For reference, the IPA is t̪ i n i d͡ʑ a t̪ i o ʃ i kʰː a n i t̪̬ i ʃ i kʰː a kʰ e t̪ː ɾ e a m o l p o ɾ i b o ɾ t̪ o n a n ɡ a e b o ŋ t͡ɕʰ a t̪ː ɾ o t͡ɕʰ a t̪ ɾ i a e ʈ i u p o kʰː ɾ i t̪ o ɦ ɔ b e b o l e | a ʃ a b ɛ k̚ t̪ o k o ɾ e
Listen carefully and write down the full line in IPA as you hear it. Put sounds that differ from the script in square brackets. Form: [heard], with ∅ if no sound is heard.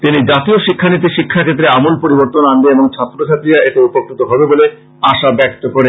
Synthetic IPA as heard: t̪ i n i d͡ʑ a t̪ i o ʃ i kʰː a n i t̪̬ i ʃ i kʰː a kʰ e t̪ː ɾ e a m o l p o ɾ i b o ɾ t̪ o n a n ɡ [e] e b o ŋ t͡ɕʰ a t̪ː ɾ o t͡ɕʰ a t̪ ɾ i a e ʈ [e] u p o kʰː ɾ i t̪ o ɦ ɔ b e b o l e | a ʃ a b ɛ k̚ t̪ o k o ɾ e